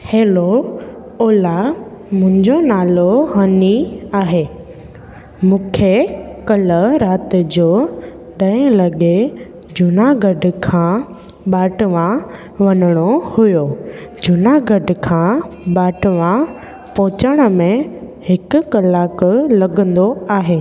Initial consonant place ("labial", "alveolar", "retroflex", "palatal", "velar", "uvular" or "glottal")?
glottal